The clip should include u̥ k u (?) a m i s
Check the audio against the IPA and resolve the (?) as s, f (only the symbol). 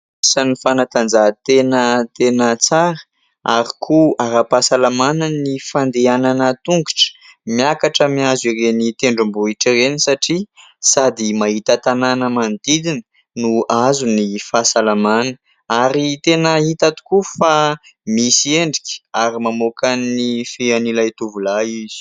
f